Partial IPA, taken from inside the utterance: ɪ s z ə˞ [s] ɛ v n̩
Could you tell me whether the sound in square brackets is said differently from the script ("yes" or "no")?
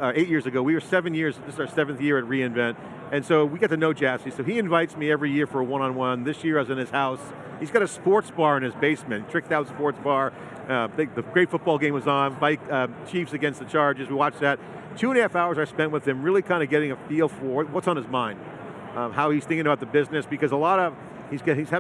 no